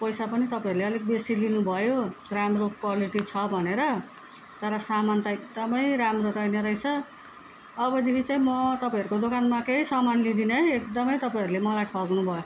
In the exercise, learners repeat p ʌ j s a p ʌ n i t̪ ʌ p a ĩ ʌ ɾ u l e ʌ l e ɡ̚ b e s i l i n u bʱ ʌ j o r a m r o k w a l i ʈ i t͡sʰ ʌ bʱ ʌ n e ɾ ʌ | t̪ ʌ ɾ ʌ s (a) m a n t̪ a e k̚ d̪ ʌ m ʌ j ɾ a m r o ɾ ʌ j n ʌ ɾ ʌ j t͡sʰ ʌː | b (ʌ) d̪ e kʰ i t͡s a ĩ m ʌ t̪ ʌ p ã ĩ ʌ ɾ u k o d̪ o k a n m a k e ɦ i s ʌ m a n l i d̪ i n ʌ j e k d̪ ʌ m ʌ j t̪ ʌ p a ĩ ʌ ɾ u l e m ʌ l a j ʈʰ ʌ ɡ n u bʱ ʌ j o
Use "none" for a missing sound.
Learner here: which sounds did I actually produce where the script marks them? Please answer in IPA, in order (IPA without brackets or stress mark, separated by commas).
a, ʌ